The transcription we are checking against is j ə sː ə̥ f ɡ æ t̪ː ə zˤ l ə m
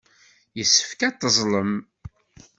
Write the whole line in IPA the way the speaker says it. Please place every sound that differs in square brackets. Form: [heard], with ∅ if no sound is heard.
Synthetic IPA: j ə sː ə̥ f [k] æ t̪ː ə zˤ l ə m